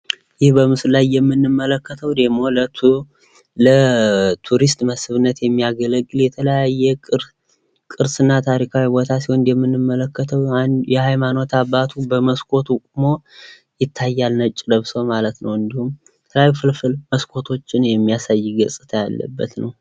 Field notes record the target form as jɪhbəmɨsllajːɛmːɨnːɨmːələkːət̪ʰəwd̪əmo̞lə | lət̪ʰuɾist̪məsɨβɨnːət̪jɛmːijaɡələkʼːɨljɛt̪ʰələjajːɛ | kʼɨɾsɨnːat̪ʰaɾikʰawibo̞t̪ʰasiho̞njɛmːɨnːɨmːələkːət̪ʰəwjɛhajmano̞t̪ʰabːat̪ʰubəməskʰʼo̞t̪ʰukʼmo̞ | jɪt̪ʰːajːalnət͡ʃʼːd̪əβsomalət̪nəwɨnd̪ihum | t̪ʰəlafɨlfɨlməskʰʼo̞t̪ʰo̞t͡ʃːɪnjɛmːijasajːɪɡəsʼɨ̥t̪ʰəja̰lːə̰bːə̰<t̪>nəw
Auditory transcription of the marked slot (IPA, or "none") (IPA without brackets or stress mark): t̪